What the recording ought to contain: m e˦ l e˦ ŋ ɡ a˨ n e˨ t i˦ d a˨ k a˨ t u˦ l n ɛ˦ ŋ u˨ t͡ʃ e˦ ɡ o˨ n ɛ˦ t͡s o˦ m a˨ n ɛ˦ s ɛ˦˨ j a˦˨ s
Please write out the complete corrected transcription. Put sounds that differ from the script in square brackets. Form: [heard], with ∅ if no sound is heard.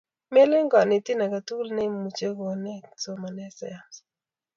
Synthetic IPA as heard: m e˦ l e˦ ŋ ɡ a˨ n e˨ t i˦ [n] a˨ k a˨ t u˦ l n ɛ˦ [m] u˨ t͡ʃ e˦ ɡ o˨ n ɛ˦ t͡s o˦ m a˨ n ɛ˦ s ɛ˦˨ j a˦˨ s